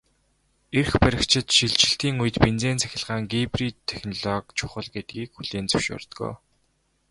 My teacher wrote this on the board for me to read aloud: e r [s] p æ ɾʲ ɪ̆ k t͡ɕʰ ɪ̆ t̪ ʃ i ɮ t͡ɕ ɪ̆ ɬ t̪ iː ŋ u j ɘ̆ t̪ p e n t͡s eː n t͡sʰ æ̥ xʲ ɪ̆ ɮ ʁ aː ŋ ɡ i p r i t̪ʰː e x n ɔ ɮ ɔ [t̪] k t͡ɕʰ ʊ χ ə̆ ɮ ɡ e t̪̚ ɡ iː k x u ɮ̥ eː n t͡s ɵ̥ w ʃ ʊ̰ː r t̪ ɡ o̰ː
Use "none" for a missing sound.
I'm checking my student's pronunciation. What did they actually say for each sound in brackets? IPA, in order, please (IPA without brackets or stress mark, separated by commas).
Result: x, none